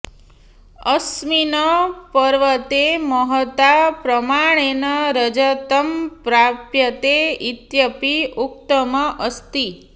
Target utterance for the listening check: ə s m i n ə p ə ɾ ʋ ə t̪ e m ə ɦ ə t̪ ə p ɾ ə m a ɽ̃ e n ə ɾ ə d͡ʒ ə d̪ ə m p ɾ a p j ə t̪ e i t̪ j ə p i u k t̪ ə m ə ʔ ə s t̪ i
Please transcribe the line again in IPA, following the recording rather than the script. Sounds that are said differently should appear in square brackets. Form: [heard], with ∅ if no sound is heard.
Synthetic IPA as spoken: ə s m i n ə p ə ɾ ʋ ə t̪ e m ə ɦ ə t̪ [a] p ɾ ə m a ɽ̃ e n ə ɾ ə d͡ʒ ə [t̪] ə m p ɾ a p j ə t̪ e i t̪ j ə p i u k t̪ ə m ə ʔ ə s t̪ i

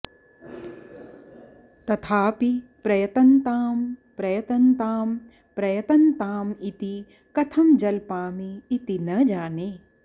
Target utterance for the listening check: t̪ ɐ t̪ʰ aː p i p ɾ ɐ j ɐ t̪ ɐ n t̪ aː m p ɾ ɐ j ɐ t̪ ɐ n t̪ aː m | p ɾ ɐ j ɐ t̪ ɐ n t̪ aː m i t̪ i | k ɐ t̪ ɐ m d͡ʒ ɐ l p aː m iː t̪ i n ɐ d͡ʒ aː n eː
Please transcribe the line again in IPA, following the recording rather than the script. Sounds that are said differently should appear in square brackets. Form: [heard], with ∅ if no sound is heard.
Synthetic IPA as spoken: t̪ ɐ t̪ʰ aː p i p ɾ ɐ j ɐ t̪ ɐ n t̪ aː m p ɾ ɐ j ɐ t̪ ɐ n t̪ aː m | p ɾ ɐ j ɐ t̪ ɐ n t̪ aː m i t̪ i | k ɐ [t̪ʰ] ɐ m d͡ʒ ɐ l p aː m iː t̪ i n ɐ d͡ʒ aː n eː

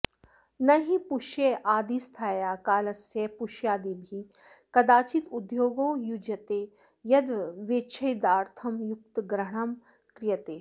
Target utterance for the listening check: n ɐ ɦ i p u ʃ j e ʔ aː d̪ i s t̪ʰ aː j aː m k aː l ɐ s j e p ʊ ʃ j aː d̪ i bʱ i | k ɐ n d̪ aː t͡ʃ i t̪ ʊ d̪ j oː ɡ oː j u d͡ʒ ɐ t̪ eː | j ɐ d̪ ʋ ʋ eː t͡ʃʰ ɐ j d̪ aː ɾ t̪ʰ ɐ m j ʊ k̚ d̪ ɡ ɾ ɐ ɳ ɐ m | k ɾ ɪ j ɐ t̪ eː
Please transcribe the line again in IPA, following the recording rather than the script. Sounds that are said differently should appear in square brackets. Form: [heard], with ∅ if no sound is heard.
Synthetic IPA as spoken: n ɐ ɦ i p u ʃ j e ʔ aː d̪ i s t̪ʰ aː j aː [∅] k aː l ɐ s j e p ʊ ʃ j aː d̪ i bʱ i | k ɐ [∅] d̪ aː t͡ʃ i t̪ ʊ d̪ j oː ɡ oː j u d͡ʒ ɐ t̪ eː | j ɐ d̪ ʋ ʋ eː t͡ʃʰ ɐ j d̪ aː ɾ t̪ʰ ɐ m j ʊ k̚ [t̪] ɡ ɾ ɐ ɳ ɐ m | k ɾ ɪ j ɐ t̪ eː

